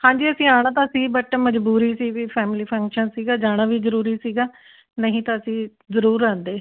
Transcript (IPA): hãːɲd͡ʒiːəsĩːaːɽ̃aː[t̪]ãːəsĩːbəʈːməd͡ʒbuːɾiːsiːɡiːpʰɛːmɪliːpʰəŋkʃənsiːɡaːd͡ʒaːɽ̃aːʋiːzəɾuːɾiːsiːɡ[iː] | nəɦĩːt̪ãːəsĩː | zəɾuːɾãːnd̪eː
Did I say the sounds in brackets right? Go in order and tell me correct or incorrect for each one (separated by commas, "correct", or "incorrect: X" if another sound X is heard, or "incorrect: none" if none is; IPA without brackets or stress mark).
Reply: correct, incorrect: aː